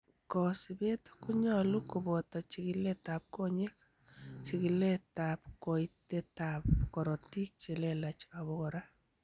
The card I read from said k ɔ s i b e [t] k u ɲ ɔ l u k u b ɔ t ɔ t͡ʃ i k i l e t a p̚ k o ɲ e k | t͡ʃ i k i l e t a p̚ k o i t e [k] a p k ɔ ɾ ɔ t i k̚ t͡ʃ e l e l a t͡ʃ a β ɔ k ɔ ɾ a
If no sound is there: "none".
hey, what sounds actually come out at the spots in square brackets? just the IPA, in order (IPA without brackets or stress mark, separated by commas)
t, t